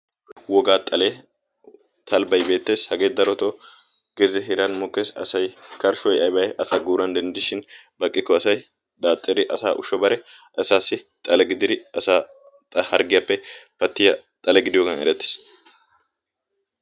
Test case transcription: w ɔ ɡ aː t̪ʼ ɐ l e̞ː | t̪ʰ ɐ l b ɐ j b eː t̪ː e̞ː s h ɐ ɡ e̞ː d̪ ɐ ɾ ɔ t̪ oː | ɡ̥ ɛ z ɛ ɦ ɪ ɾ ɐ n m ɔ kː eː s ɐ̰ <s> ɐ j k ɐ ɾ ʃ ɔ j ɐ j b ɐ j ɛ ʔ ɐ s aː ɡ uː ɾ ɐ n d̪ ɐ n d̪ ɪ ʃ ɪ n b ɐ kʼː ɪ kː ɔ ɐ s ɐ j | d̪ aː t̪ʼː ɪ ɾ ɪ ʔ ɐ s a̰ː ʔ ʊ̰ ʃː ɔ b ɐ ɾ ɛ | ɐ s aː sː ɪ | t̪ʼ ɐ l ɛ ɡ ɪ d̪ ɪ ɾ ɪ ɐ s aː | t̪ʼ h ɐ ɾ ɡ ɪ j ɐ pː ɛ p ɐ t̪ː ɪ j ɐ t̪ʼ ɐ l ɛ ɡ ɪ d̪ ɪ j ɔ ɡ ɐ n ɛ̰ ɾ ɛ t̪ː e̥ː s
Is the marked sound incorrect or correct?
correct